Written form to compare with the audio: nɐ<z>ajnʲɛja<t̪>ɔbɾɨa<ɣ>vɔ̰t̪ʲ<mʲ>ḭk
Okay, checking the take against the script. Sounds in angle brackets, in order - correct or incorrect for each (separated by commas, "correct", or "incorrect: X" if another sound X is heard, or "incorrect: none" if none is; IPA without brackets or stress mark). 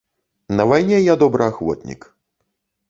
incorrect: v, incorrect: d̪, incorrect: x, incorrect: nʲ